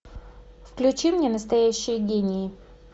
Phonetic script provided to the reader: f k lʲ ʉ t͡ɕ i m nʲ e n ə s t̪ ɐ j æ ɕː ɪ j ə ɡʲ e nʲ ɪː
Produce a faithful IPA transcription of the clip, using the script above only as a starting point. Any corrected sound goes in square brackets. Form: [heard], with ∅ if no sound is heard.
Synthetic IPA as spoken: f k lʲ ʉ t͡ɕ i m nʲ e n ə s t̪ ɐ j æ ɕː ɪ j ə ɡʲ e nʲ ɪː